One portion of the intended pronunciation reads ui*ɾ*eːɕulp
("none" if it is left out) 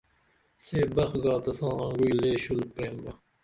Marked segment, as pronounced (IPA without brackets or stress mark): l